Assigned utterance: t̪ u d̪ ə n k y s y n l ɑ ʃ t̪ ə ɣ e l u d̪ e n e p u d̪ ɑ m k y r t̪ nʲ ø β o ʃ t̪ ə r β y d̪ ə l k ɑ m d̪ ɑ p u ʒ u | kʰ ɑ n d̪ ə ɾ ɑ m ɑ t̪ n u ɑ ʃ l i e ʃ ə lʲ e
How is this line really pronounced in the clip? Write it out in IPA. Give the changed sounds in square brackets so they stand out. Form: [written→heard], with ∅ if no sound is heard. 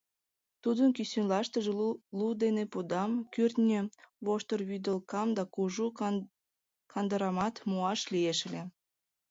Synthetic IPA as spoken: t̪ u d̪ ə n k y s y n l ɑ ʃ t̪ ə [ɣ→ʒ] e l u d̪ e n e p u d̪ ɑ m k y r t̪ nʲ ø β o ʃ t̪ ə r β y d̪ ə l k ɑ m d̪ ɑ [p→k] u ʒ u | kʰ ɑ n d̪ ə ɾ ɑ m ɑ t̪ [n→m] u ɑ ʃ l i e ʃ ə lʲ e

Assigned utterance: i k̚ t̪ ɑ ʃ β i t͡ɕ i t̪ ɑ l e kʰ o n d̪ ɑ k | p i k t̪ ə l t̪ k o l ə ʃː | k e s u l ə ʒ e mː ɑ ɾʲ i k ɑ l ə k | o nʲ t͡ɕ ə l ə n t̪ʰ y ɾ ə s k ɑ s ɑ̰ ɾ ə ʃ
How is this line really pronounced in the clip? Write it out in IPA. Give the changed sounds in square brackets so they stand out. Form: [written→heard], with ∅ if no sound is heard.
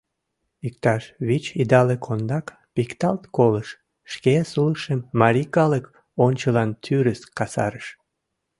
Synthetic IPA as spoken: i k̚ t̪ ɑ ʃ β i t͡ɕ i [t̪→d̪] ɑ l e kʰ o n d̪ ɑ k | p i k t̪ [ə→ɑ] l t̪ k o l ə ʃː | k e s u l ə [ʒ→ʃ] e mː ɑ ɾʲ i k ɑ l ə k | o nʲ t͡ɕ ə l [ə→ɑ] n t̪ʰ y ɾ ə s k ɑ s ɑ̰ ɾ ə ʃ

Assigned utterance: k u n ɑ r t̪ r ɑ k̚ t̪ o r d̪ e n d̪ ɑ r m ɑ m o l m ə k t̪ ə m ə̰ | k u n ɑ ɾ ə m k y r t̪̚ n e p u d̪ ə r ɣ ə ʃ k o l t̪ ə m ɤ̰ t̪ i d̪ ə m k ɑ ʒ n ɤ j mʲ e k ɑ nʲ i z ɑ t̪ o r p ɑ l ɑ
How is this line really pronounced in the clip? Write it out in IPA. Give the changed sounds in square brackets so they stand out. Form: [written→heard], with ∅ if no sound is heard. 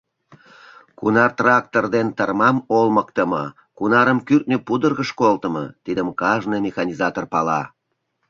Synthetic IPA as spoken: k u n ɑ r t̪ r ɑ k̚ t̪ o r d̪ e n [d̪→t̪] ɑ r m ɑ m o l m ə k t̪ ə m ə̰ | k u n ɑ ɾ ə m k y r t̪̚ n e p u d̪ ə r ɣ ə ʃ k o l t̪ ə m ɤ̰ t̪ i d̪ ə m k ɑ ʒ n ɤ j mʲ e [k→x] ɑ nʲ i z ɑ t̪ o r p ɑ l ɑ

